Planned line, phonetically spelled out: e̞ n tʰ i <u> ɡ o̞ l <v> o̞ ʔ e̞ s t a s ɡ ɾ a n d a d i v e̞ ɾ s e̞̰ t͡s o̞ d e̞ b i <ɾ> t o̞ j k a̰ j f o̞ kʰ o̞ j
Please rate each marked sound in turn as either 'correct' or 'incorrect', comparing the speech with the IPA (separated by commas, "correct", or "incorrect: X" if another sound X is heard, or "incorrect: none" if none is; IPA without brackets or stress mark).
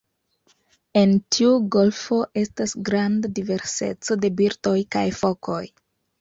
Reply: correct, incorrect: f, correct